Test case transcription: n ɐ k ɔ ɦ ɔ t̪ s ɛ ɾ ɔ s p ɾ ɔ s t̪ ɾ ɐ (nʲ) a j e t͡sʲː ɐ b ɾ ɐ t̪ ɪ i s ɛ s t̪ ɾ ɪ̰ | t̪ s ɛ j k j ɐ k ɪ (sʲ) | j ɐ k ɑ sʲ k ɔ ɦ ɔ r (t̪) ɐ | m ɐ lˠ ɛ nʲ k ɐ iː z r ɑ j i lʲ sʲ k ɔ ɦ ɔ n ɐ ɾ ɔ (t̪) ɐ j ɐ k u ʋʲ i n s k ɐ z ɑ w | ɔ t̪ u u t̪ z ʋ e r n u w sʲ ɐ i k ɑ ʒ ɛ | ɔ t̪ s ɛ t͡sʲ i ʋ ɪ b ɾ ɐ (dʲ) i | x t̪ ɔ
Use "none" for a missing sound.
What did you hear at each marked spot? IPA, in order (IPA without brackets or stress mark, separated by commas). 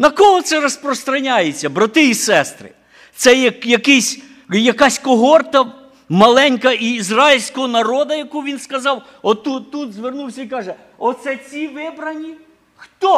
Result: nʲ, sʲ, t̪, d̪, nʲ